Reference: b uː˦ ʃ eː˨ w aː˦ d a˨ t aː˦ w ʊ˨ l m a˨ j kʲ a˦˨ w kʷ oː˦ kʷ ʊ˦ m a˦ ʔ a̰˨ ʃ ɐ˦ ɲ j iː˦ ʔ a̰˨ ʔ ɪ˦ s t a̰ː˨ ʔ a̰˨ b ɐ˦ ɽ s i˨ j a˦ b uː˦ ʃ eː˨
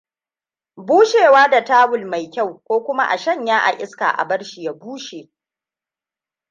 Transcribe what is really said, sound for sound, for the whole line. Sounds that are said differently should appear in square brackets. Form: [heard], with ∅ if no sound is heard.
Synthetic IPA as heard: b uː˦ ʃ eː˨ w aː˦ d a˨ t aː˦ w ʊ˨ l m a˨ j kʲ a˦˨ w kʷ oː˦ kʷ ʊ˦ m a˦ ʔ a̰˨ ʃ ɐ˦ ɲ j [aː˦] ʔ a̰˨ ʔ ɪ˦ s [k] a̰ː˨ ʔ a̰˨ b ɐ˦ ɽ [ʃ] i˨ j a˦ b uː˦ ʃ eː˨